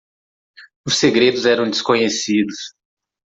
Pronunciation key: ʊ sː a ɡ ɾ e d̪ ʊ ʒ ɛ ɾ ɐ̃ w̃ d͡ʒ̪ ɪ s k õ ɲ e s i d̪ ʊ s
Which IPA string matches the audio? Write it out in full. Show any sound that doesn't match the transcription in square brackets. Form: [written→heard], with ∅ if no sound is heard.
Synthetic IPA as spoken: ʊ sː [a→e] ɡ ɾ e d̪ ʊ [ʒ→z] ɛ ɾ ɐ̃ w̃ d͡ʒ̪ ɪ s k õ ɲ e s i d̪ ʊ s